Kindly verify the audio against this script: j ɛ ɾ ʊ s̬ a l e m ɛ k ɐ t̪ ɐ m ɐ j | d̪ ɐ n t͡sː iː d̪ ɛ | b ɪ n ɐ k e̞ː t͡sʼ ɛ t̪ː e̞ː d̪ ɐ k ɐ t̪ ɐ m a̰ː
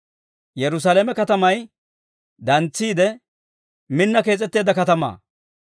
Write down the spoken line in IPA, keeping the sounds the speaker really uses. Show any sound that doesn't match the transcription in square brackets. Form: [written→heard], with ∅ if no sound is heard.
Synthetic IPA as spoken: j ɛ ɾ ʊ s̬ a l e m ɛ k ɐ t̪ ɐ m ɐ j | d̪ ɐ n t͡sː iː d̪ ɛ | [b→m] ɪ [n→nː] ɐ k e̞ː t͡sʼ ɛ t̪ː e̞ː d̪ ɐ k ɐ t̪ ɐ m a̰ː

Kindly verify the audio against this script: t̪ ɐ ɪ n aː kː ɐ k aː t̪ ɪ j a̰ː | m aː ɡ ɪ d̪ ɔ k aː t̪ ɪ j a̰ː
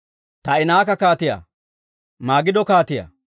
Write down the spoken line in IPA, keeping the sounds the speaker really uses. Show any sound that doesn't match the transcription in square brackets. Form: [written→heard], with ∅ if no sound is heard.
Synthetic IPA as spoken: t̪ ɐ ɪ n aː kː ɐ k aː t̪ ɪ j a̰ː | m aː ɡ ɪ d̪ ɔ k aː t̪ ɪ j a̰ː

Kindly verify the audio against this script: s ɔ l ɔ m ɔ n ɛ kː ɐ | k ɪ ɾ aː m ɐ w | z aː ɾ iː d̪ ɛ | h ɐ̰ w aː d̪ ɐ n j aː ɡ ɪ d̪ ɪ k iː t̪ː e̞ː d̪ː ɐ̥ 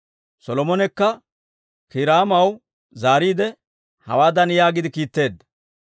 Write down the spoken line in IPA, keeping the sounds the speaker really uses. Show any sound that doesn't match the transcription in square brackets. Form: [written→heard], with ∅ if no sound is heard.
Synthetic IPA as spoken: s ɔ l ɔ m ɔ n ɛ kː ɐ | k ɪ ɾ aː m ɐ w | z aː ɾ iː d̪ ɛ | h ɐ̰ w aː d̪ ɐ n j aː ɡ ɪ d̪ ɪ k iː t̪ː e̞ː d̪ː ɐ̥

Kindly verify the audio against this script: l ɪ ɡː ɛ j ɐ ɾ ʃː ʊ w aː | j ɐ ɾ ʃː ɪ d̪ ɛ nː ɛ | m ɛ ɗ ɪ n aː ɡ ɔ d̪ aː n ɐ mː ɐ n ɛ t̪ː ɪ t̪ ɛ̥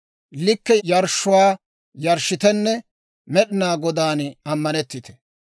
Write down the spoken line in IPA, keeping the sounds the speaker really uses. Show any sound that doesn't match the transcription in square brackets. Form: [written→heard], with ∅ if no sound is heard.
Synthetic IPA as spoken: l ɪ [ɡː→kː] ɛ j ɐ ɾ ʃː ʊ w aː | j ɐ ɾ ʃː ɪ [d̪→t̪] ɛ nː ɛ | m ɛ ɗ ɪ n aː ɡ ɔ d̪ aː n ɐ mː ɐ n ɛ t̪ː ɪ t̪ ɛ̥

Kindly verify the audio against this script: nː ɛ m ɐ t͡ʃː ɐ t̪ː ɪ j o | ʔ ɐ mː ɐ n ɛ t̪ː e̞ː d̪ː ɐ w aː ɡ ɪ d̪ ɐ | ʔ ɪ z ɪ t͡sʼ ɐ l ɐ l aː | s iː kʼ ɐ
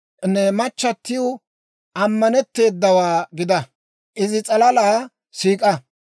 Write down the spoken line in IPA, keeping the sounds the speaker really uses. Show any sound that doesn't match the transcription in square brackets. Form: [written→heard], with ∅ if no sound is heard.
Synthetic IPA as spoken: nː ɛ m ɐ t͡ʃː ɐ t̪ː ɪ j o | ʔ ɐ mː ɐ n ɛ t̪ː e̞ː d̪ː ɐ w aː ɡ ɪ d̪ ɐ | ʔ ɪ z ɪ t͡sʼ ɐ l ɐ l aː | s iː kʼ ɐ

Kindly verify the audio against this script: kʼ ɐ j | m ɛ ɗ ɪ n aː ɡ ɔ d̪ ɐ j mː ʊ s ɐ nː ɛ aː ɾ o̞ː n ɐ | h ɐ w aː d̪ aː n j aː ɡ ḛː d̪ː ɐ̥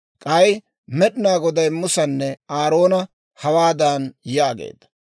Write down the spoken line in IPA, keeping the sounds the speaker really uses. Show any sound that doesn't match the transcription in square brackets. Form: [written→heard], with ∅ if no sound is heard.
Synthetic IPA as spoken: kʼ ɐ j | m ɛ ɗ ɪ n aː ɡ ɔ d̪ ɐ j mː ʊ s ɐ nː ɛ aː ɾ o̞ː n ɐ | h ɐ w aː d̪ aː n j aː ɡ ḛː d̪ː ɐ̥

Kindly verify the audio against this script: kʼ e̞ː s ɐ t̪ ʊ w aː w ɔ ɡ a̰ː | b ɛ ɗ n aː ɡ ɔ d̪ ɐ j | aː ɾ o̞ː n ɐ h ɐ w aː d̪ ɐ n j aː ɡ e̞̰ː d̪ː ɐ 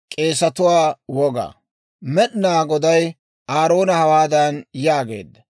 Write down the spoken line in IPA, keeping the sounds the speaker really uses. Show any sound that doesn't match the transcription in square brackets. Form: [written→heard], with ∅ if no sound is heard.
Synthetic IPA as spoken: kʼ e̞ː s ɐ t̪ ʊ w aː w ɔ ɡ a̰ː | [b→m] ɛ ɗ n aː ɡ ɔ d̪ ɐ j | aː ɾ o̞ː n ɐ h ɐ w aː d̪ ɐ n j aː ɡ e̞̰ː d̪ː ɐ

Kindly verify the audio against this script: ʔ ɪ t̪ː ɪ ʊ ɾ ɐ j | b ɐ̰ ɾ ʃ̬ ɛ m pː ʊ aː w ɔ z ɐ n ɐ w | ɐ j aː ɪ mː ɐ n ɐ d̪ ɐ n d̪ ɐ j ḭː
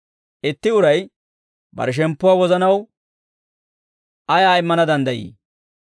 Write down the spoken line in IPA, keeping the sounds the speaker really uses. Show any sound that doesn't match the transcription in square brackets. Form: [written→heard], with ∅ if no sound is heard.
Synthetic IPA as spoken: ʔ ɪ t̪ː ɪ ʊ ɾ ɐ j | b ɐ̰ ɾ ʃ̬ ɛ m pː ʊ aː w ɔ z ɐ n ɐ w | ɐ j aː ɪ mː ɐ n ɐ d̪ ɐ n d̪ ɐ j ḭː

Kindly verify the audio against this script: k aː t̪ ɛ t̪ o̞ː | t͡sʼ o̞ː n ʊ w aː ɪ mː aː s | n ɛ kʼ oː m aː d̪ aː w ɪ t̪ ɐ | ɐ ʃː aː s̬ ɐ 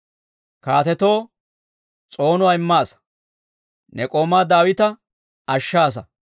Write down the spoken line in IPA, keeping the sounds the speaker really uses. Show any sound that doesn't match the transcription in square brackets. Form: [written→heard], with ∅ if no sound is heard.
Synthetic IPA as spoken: k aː t̪ ɛ t̪ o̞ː | t͡sʼ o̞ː n ʊ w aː ɪ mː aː s | n ɛ kʼ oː m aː d̪ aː w ɪ t̪ ɐ | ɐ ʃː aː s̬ ɐ

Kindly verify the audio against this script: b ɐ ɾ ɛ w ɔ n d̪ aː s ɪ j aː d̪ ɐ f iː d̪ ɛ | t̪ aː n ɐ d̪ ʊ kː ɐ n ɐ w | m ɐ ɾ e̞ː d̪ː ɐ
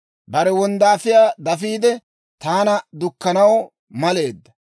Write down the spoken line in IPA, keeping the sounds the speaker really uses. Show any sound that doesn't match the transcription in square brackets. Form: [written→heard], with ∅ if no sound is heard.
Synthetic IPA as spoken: b ɐ ɾ ɛ w ɔ n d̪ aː [s→f] ɪ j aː d̪ ɐ f iː d̪ ɛ | t̪ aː n ɐ d̪ ʊ kː ɐ n ɐ w | m ɐ [ɾ→l] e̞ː d̪ː ɐ

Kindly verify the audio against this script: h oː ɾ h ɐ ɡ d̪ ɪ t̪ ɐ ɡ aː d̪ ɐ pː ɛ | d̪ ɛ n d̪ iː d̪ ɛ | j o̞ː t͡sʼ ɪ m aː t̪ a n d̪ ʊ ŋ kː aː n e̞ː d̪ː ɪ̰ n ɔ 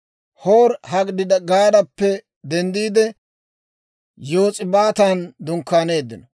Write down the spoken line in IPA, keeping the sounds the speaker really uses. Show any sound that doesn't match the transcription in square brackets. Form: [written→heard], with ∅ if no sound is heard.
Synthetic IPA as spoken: h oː ɾ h ɐ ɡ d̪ ɪ [t̪→d̪] ɐ ɡ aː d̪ ɐ pː ɛ | d̪ ɛ n d̪ iː d̪ ɛ | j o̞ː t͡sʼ ɪ [m→b] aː t̪ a n d̪ ʊ ŋ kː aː n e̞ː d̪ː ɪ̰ n ɔ

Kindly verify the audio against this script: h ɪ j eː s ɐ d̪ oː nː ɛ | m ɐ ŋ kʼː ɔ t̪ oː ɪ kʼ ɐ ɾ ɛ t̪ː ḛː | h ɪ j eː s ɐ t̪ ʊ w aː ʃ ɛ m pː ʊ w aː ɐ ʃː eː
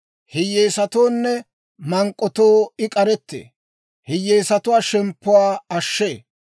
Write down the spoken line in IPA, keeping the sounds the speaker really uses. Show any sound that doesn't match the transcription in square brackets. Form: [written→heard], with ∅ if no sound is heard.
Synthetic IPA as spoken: h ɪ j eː s ɐ [d̪→t̪] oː nː ɛ | m ɐ ŋ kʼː ɔ t̪ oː ɪ kʼ ɐ ɾ ɛ t̪ː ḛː | h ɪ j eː s ɐ t̪ ʊ w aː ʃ ɛ m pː ʊ w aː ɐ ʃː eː

